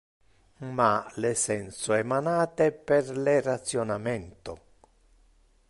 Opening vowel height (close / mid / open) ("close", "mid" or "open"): open